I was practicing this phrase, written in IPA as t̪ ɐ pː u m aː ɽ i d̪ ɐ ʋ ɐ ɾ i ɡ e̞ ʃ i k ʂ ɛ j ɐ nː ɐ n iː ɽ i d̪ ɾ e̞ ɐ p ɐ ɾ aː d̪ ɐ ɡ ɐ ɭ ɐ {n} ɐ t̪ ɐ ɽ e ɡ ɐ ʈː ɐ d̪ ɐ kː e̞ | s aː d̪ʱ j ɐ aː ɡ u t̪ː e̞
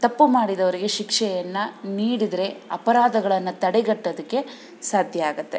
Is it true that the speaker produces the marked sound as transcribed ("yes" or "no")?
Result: no